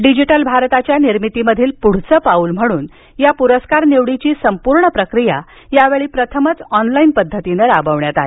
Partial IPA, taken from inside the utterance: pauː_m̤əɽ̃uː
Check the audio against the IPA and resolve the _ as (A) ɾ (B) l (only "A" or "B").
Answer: B